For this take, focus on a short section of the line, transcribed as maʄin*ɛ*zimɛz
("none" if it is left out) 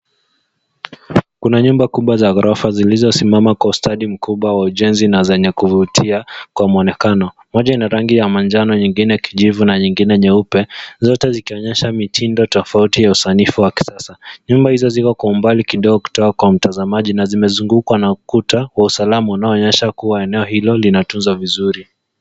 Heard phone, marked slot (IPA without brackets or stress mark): a